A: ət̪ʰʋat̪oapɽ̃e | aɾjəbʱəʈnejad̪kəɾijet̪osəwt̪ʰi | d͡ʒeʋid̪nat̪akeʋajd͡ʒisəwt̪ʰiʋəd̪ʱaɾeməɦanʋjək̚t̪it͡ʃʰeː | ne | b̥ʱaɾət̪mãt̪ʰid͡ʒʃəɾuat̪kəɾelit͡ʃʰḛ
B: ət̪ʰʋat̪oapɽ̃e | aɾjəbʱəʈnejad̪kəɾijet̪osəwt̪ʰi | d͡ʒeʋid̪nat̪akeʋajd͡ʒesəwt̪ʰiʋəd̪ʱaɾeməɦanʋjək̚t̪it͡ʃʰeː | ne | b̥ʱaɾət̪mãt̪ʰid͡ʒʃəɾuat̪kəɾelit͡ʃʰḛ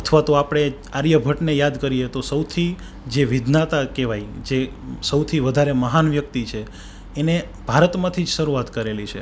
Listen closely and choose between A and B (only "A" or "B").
B